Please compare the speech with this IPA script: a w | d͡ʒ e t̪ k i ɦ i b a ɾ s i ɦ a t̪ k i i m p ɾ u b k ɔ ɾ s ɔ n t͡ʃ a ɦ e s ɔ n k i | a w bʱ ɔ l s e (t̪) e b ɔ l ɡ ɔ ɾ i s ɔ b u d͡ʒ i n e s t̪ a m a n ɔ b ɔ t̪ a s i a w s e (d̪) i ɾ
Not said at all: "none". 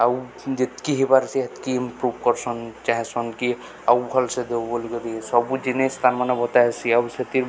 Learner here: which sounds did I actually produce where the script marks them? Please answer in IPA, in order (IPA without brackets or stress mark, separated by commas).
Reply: d̪, t̪